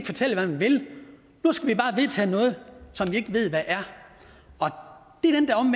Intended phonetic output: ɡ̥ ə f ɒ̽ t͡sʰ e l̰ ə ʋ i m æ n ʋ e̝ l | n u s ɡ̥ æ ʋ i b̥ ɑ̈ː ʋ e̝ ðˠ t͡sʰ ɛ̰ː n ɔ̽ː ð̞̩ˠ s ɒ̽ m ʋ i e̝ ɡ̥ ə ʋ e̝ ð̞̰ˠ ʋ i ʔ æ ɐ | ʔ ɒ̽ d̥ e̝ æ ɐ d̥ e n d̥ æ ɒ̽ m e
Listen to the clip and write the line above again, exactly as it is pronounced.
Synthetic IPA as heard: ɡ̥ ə f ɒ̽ t͡sʰ e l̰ ə ʋ æ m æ n ʋ e̝ l | n u s ɡ̥ æ ʋ i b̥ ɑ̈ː ʋ e̝ ðˠ t͡sʰ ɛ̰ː n ɔ̽ː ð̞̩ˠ s ɒ̽ m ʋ i e̝ ɡ̥ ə ʋ e̝ ð̞̰ˠ ʋ æ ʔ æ ɐ | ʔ ɒ̽ d̥ e̝ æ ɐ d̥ e n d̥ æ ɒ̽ m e